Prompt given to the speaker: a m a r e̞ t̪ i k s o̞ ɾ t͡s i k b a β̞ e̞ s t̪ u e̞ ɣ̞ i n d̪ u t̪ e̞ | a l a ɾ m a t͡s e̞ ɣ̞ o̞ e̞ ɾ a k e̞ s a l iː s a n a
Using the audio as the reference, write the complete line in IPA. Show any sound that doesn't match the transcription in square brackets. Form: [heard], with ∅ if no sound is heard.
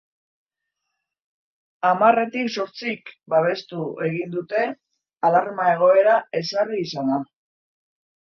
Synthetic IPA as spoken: a m a r e̞ t̪ i k s o̞ ɾ t͡s i k b a β̞ e̞ s t̪ u e̞ ɣ̞ i n d̪ u t̪ e̞ | a l a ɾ m a [∅] e̞ ɣ̞ o̞ e̞ ɾ a [∅] e̞ s a [r] iː s a n a